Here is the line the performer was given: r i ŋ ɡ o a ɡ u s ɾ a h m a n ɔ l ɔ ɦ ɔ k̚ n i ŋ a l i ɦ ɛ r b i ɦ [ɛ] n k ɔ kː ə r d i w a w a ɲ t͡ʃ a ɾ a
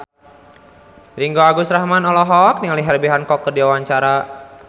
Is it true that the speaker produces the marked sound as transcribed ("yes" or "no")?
no